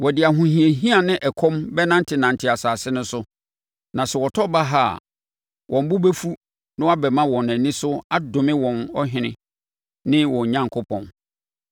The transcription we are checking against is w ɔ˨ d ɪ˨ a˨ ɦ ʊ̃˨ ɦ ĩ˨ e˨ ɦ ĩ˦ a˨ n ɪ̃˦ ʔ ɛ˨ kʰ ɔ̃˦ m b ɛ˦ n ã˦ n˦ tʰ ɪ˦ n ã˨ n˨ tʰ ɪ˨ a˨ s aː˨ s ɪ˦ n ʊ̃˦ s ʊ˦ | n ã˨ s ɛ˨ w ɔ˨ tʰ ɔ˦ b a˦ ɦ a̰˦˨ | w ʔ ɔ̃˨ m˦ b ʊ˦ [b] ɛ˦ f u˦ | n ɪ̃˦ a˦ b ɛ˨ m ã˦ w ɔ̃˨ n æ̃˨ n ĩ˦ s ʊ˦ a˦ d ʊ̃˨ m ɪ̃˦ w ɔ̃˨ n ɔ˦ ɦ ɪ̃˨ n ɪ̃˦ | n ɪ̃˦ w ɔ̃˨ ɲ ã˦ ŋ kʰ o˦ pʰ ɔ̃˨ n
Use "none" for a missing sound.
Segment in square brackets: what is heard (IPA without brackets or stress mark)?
b